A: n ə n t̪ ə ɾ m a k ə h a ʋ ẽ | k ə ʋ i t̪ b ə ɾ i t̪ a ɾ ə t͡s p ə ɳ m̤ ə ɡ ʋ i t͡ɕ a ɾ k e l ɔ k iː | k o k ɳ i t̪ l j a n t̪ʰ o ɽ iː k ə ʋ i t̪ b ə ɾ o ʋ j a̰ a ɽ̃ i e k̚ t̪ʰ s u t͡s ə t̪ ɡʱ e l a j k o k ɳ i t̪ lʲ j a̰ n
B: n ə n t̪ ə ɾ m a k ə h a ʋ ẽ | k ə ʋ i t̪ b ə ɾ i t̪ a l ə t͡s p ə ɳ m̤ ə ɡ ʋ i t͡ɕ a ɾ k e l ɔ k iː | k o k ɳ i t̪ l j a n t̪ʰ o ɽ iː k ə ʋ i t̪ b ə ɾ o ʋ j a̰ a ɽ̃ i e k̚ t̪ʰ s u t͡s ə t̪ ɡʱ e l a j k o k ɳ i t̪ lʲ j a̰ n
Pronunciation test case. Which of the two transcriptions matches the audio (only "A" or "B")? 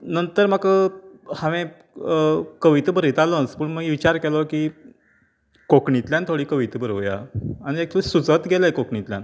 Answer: B